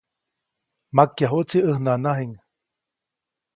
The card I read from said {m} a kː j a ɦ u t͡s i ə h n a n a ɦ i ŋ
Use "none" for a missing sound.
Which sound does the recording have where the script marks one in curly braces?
m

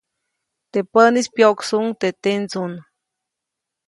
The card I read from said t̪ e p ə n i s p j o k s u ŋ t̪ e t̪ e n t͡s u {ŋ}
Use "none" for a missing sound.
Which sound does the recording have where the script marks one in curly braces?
n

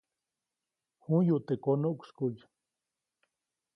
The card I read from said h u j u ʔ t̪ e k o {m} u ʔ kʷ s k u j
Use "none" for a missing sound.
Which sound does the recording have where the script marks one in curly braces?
n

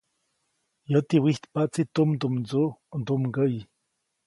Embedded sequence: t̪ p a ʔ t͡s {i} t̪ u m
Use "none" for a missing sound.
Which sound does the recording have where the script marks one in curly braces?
i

